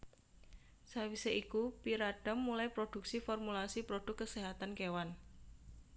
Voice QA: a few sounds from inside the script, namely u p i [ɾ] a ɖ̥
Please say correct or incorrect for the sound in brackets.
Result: correct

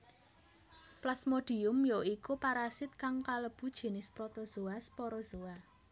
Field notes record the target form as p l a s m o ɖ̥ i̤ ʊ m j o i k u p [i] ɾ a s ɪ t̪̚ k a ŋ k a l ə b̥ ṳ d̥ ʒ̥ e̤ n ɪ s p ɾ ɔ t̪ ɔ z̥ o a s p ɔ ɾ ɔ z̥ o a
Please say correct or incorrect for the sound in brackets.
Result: incorrect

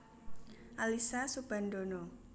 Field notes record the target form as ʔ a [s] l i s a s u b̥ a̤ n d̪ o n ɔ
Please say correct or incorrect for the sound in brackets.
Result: incorrect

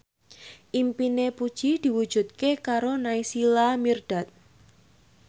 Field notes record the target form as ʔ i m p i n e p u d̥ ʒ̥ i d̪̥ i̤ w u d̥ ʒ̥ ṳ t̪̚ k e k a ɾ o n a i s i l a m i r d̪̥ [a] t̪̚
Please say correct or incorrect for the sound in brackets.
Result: correct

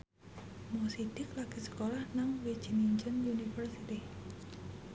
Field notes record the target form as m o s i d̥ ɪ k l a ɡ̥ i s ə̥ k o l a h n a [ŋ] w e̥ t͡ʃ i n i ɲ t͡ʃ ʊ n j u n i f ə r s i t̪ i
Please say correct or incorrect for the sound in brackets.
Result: correct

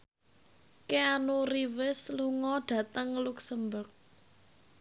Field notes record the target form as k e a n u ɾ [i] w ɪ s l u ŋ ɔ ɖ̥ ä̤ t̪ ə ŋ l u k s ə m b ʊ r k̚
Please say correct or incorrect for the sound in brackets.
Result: correct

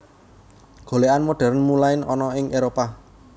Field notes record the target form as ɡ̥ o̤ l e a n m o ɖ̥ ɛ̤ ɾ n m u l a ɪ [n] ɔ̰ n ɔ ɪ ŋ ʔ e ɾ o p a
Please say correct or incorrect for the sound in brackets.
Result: correct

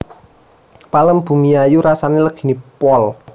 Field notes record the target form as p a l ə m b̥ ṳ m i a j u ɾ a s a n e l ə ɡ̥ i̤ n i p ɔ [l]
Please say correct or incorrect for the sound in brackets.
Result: correct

